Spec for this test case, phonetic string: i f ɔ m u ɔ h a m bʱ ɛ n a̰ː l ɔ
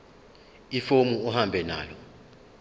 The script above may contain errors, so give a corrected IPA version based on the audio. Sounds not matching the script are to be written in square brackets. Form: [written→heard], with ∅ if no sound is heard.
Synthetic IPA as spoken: i f [ɔ→o] m u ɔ h a m bʱ ɛ n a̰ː l ɔ